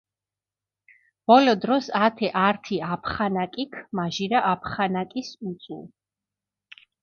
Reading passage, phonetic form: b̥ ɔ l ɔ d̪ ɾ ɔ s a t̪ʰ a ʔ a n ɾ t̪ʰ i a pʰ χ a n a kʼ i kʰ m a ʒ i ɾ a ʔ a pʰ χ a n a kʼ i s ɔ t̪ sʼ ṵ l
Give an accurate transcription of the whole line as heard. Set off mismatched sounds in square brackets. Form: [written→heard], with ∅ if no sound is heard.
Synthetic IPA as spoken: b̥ ɔ l ɔ d̪ ɾ ɔ s a t̪ʰ [a→ɛ] ʔ a [n→∅] ɾ t̪ʰ i a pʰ χ a n a kʼ i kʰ m a ʒ i ɾ a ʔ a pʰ χ a n a kʼ i s [ɔ→u] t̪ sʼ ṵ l